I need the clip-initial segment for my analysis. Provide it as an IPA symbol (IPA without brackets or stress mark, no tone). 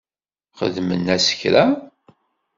χ